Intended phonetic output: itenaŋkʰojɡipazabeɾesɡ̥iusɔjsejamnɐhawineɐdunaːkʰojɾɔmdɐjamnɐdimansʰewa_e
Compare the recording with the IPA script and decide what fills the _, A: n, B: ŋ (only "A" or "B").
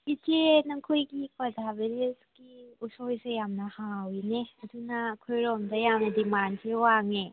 B